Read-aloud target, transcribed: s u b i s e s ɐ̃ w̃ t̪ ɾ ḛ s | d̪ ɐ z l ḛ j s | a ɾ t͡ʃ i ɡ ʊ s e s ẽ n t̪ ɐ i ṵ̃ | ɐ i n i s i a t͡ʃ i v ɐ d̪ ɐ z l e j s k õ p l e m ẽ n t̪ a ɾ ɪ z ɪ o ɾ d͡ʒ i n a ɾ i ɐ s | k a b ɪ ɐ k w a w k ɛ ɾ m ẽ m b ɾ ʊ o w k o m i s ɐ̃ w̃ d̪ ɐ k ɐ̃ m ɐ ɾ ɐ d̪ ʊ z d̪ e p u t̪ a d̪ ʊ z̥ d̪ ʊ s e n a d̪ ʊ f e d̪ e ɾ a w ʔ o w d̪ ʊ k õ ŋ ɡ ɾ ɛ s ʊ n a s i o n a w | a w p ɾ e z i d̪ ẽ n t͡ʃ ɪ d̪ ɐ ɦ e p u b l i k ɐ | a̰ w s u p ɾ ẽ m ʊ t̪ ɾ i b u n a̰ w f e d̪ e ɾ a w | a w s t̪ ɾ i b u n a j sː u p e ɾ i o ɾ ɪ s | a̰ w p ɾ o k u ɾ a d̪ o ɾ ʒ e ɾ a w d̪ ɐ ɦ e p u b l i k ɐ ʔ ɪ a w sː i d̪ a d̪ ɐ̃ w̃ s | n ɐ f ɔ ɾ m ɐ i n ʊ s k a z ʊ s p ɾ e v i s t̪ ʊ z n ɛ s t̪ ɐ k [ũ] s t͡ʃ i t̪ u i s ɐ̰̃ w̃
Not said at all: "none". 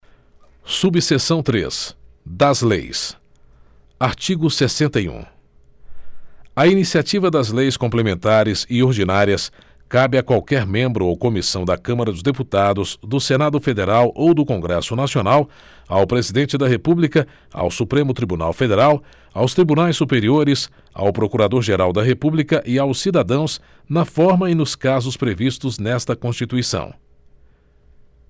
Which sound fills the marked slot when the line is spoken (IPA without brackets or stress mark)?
õ